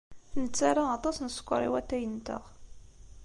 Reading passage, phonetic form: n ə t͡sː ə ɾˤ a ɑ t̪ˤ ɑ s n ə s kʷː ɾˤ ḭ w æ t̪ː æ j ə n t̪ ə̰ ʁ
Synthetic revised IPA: n ə t͡sː a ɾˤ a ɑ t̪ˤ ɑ s n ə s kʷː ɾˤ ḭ w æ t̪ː æ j ə n t̪ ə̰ ʁ